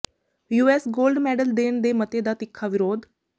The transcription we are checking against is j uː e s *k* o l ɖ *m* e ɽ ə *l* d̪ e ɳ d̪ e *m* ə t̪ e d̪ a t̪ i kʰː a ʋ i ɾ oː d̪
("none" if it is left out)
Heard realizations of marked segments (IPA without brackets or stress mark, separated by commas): ɡ, m, l, m